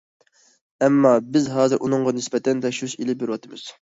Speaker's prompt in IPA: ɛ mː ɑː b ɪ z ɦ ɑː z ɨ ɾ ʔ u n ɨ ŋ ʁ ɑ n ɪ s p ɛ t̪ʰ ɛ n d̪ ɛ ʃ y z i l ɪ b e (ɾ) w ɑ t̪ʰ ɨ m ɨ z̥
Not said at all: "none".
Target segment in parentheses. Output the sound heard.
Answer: ɾ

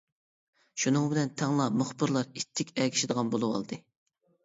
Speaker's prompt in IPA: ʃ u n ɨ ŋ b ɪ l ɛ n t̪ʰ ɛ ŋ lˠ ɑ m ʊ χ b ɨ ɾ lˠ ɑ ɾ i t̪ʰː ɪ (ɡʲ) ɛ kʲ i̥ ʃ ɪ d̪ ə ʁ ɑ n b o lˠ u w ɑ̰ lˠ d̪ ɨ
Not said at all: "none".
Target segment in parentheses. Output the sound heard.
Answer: kʲ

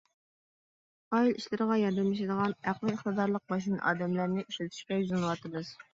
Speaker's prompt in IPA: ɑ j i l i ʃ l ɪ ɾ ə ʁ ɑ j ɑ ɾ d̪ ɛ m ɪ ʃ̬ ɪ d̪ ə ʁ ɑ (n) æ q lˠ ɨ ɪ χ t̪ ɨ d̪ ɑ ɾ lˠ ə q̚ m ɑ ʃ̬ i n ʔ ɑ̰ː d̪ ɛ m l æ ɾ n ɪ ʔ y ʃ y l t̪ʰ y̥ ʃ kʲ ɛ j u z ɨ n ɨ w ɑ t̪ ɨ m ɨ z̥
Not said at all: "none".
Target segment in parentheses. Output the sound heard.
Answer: n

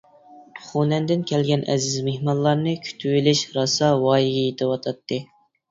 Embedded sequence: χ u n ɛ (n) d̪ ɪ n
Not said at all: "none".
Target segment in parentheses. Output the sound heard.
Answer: n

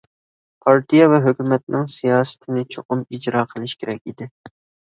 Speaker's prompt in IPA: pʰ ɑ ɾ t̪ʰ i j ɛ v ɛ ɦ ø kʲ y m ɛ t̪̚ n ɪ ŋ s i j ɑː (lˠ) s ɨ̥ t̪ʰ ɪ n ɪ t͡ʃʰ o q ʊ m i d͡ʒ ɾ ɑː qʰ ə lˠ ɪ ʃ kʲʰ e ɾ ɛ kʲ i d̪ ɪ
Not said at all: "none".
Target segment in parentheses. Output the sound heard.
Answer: none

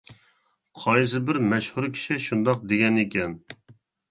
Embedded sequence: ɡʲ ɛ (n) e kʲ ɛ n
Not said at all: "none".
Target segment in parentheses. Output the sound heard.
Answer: n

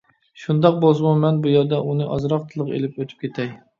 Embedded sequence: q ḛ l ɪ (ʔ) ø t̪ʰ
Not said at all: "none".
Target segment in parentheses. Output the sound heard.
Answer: p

